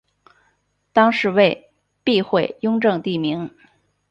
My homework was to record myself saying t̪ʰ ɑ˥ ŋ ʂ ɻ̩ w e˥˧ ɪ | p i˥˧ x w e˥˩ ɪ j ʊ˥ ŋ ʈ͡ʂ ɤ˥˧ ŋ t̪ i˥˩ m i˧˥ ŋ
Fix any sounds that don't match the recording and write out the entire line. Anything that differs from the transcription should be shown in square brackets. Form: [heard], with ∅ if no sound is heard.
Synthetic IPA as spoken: [t̪] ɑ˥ ŋ ʂ ɻ̩ w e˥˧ ɪ | p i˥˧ x w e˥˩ ɪ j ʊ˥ ŋ ʈ͡ʂ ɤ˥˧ ŋ t̪ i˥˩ m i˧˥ ŋ